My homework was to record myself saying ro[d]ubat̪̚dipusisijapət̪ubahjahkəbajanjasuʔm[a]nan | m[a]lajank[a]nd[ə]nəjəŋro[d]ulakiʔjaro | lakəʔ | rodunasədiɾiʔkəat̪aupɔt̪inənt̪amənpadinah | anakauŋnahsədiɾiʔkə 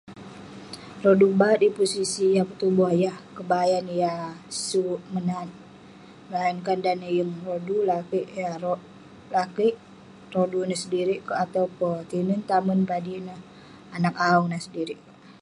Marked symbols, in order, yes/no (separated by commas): yes, no, no, yes, no, yes